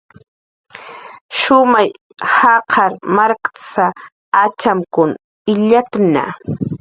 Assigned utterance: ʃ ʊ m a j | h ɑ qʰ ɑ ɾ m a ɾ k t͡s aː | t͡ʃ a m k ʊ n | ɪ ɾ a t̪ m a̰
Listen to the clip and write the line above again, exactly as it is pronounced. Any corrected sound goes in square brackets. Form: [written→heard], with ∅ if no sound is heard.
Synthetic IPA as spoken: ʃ ʊ m a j | h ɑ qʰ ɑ ɾ m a ɾ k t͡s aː | t͡ʃ a m k ʊ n | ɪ [ɾ→ʎ] a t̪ [m→n] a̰

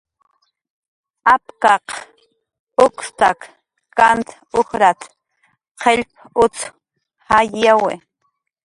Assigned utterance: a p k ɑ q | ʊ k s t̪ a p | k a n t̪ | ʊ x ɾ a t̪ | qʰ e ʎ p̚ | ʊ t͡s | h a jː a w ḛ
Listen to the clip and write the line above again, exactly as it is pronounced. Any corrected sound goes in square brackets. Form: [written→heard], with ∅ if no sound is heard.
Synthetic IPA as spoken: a p k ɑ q | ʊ k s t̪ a [p→k] | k a n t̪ | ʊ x ɾ a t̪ | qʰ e ʎ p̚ | ʊ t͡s | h a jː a w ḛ

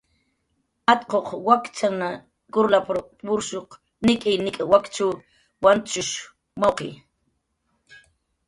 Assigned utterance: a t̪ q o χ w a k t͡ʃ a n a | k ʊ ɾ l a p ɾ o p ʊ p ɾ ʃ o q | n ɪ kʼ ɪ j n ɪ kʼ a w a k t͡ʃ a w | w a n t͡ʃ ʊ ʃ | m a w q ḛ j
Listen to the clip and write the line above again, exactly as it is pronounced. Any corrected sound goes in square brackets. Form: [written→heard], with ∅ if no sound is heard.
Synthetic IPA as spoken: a t̪ q o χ w a k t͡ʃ a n a | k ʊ ɾ l a p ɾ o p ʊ [p→∅] ɾ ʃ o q | n ɪ kʼ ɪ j n ɪ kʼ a w a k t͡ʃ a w | w a n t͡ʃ ʊ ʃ | m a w q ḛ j

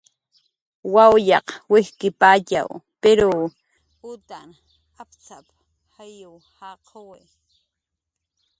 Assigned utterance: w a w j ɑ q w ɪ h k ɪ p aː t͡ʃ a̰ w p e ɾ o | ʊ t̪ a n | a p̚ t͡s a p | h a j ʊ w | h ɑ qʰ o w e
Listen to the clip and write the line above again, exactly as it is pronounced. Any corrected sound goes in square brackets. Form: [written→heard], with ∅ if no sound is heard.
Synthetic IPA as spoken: w a w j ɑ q w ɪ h k ɪ p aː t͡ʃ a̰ w p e ɾ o | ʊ t̪ a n | a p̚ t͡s a p | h a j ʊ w | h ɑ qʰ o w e

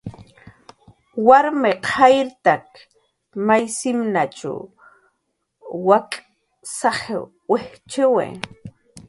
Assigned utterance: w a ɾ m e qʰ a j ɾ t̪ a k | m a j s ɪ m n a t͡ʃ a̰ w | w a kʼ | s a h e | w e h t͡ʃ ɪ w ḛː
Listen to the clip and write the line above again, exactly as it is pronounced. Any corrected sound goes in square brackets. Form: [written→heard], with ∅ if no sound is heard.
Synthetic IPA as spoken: w a ɾ m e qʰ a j ɾ t̪ a k | m a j s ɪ m n a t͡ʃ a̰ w | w a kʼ | s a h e | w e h t͡ʃ ɪ w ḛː

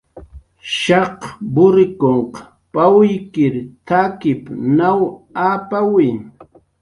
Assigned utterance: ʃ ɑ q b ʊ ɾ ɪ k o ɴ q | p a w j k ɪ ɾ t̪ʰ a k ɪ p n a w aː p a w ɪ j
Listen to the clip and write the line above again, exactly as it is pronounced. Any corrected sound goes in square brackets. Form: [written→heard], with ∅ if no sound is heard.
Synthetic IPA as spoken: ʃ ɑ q b ʊ ɾ ɪ k o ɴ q | p a w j k ɪ ɾ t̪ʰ a k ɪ p n a w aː p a w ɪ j

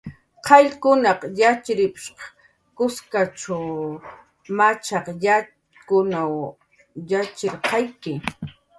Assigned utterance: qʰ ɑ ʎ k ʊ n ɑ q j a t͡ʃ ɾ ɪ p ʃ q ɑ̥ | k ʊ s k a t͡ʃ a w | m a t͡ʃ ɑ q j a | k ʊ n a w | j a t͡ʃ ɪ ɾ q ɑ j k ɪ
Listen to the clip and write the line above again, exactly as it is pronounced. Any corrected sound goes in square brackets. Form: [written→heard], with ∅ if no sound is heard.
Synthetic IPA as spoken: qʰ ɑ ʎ k ʊ n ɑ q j a t͡ʃ ɾ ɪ p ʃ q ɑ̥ | k ʊ s k a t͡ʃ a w | m a t͡ʃ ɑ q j a | k ʊ n a w | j a t͡ʃ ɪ ɾ q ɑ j k ɪ

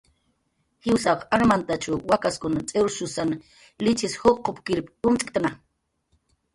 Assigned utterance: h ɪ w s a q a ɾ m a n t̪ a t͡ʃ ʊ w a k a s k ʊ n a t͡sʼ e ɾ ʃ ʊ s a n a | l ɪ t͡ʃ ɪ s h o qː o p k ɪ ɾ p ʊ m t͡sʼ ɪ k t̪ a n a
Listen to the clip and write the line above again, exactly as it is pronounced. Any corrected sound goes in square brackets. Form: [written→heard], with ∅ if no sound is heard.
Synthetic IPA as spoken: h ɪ w s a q a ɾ m a n t̪ a t͡ʃ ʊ w a k a s k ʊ n a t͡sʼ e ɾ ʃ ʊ s a n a | l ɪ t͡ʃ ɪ s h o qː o p k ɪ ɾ p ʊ m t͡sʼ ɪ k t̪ a n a

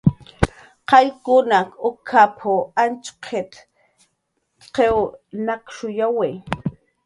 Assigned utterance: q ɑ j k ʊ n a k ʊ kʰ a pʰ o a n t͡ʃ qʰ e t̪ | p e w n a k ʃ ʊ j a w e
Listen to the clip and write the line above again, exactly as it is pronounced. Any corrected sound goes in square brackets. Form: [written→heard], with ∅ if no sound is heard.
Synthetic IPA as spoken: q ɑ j k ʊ n a k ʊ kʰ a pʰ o a n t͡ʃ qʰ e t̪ | [p→q] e w n a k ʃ ʊ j a w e

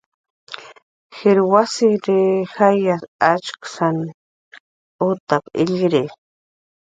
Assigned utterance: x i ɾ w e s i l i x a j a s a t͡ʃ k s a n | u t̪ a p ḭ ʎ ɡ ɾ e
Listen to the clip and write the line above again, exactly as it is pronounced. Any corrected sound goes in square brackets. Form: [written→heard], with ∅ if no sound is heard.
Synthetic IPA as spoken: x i ɾ w [e→a] s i [l→ɾ] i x a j a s a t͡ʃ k s a n | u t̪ a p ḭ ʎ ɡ ɾ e

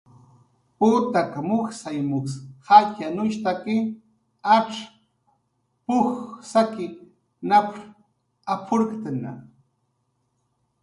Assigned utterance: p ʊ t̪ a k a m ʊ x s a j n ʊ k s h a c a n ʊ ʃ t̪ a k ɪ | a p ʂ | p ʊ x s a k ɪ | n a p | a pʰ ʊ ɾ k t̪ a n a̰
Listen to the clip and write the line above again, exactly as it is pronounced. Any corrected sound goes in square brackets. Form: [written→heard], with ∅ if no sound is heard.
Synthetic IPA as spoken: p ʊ t̪ a k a m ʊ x s a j [n→m] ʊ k s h a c a n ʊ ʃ t̪ a k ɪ | a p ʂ | p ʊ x s a k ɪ | n a p | a pʰ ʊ ɾ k t̪ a n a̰

